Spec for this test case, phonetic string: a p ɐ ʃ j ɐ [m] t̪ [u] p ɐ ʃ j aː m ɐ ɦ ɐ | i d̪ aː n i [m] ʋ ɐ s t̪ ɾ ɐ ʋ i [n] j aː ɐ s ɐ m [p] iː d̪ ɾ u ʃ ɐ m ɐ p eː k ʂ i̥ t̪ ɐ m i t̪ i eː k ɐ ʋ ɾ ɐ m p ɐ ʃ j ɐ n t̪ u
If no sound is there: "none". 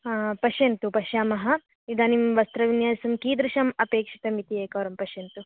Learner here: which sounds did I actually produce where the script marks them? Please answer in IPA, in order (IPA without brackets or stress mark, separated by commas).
n, u, m, n, k